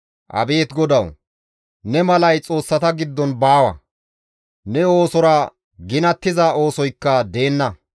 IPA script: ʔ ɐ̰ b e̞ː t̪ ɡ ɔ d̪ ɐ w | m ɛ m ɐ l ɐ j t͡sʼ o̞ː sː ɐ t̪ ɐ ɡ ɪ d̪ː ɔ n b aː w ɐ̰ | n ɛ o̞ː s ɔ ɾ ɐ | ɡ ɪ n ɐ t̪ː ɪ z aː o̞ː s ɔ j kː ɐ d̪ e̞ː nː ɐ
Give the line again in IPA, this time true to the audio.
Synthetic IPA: ʔ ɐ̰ b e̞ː t̪ ɡ ɔ d̪ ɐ w | n ɛ m ɐ l ɐ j t͡sʼ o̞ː sː ɐ t̪ ɐ ɡ ɪ d̪ː ɔ n b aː w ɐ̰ | n ɛ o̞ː s ɔ ɾ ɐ | ɡ ɪ n ɐ t̪ː ɪ z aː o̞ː s ɔ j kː ɐ d̪ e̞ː nː ɐ

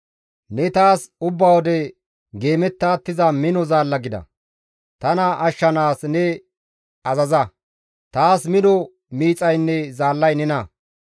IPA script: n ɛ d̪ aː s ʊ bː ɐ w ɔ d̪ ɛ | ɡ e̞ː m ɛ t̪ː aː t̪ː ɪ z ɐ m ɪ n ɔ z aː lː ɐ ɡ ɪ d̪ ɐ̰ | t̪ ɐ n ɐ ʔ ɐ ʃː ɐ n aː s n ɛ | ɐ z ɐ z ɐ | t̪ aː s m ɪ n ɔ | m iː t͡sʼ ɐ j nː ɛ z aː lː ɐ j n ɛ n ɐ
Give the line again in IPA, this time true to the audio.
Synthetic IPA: n ɛ t̪ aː s ʊ bː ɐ w ɔ d̪ ɛ | ɡ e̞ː m ɛ t̪ː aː t̪ː ɪ z ɐ m ɪ n ɔ z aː lː ɐ ɡ ɪ d̪ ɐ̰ | t̪ ɐ n ɐ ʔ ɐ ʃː ɐ n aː s n ɛ | ɐ z ɐ z ɐ | t̪ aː s m ɪ n ɔ | m iː t͡sʼ ɐ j nː ɛ z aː lː ɐ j n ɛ n ɐ

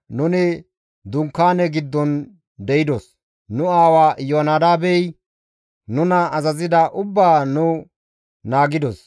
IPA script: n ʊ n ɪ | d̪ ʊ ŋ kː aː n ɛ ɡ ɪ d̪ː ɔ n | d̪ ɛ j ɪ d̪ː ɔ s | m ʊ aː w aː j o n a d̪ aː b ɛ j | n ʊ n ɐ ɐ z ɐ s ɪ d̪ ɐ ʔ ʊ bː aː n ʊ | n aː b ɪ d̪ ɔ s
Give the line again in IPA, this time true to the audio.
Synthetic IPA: n ʊ n ɪ | d̪ ʊ ŋ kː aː n ɛ ɡ ɪ d̪ː ɔ n | d̪ ɛ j ɪ d̪ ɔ s | n ʊ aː w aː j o n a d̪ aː b ɛ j | n ʊ n ɐ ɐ z ɐ z ɪ d̪ ɐ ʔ ʊ bː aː n ʊ | n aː ɡ ɪ d̪ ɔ s

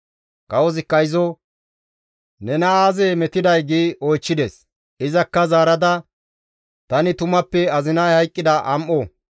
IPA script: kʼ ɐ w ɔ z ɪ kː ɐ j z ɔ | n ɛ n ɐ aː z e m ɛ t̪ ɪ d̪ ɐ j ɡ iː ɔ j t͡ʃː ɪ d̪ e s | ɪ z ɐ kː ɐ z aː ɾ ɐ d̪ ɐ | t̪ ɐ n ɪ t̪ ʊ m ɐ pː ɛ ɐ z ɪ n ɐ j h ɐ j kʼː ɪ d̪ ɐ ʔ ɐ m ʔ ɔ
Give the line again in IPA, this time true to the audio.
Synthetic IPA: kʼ ɐ w ɔ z ɪ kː ɐ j z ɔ | n ɛ n ɐ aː z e m ɛ t̪ ɪ d̪ ɐ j ɡ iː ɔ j t͡ʃː ɪ d̪ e s | ɪ z ɐ kː ɐ z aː ɾ ɐ d̪ ɐ | t̪ ɐ n ɪ t̪ ʊ m ɐ pː ɛ ɐ z ɪ n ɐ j h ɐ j kʼː ɪ d̪ ɐ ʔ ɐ m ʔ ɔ

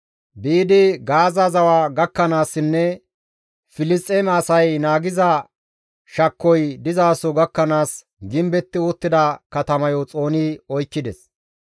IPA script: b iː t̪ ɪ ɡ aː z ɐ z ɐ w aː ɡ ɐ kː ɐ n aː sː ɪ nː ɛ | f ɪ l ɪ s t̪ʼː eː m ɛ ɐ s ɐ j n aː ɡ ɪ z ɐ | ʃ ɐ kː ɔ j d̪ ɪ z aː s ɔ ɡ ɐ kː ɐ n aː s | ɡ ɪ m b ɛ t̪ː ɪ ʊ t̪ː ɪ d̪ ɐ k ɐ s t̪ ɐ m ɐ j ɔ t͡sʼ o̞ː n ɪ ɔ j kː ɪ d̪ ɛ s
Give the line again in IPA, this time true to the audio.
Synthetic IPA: b iː d̪ ɪ ɡ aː z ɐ z ɐ w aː ɡ ɐ kː ɐ n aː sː ɪ nː ɛ | f ɪ l ɪ s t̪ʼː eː m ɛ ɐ s ɐ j n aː ɡ ɪ z ɐ | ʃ ɐ kː ɔ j d̪ ɪ z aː s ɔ ɡ ɐ kː ɐ n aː s | ɡ ɪ m b ɛ t̪ː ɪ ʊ t̪ː ɪ d̪ ɐ k ɐ t̪ ɐ m ɐ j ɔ t͡sʼ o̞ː n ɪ ɔ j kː ɪ d̪ ɛ s

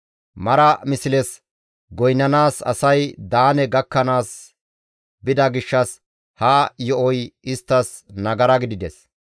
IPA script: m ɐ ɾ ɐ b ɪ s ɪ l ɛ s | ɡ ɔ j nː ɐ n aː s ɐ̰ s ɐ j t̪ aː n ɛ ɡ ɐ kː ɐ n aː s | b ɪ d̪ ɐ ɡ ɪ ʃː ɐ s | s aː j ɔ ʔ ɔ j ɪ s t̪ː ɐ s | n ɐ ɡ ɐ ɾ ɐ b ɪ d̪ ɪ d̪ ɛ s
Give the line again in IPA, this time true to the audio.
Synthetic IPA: m ɐ ɾ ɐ m ɪ s ɪ l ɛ s | ɡ ɔ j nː ɐ n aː s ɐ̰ s ɐ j d̪ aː n ɛ ɡ ɐ kː ɐ n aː s | b ɪ d̪ ɐ ɡ ɪ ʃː ɐ s | h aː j ɔ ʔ ɔ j ɪ s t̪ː ɐ s | n ɐ ɡ ɐ ɾ ɐ ɡ ɪ d̪ ɪ d̪ ɛ s

